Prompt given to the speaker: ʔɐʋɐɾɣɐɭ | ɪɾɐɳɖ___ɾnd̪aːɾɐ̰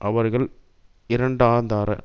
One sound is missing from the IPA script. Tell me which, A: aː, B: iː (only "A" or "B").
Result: A